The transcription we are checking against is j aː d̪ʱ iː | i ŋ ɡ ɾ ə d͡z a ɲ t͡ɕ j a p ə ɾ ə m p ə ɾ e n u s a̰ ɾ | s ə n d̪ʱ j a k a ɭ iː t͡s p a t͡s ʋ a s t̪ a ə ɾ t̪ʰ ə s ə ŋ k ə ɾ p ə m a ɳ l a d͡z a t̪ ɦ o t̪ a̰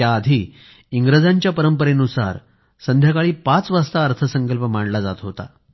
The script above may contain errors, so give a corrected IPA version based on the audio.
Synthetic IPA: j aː d̪ʱ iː | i ŋ ɡ ɾ ə d͡z a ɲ t͡ɕ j a p ə ɾ ə m p ə ɾ e n u s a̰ ɾ | s ə n d̪ʱ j a k a ɭ iː p a t͡s ʋ a s t̪ a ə ɾ t̪ʰ ə s ə ŋ k ə l p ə m a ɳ l a d͡z a t̪ ɦ o t̪ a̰